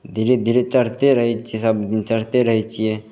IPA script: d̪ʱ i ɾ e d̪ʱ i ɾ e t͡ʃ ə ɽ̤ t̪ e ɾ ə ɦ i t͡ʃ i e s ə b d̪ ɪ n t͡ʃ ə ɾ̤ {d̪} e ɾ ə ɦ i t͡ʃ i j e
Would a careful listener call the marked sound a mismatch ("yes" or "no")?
yes